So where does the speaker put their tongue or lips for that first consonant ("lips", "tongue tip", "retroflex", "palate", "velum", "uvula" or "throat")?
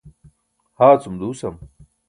throat